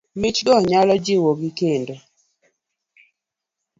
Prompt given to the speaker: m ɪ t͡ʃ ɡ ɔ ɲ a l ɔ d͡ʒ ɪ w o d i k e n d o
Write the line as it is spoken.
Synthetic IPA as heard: m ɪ t͡ʃ ɡ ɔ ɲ a l ɔ d͡ʒ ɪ w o ɡ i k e n d o